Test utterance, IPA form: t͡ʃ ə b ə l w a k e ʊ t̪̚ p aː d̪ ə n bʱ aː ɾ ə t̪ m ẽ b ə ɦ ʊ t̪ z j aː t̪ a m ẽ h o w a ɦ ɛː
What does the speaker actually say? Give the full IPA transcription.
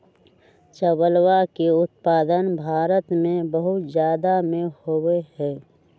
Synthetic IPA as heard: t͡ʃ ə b ə l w a k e ʊ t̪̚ p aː d̪ ə n bʱ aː ɾ ə t̪ m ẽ b ə ɦ ʊ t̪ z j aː d̪ a m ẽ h o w e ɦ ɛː